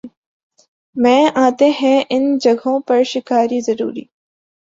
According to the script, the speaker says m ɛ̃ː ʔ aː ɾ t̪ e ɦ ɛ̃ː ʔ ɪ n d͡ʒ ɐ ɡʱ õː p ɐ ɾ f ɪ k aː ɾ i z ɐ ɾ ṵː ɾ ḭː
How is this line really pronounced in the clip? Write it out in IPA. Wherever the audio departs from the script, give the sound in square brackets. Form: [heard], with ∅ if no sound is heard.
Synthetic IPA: m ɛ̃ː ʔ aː [∅] t̪ e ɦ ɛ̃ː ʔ ɪ n d͡ʒ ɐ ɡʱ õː p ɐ ɾ [ʃ] ɪ k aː ɾ i z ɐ ɾ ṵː ɾ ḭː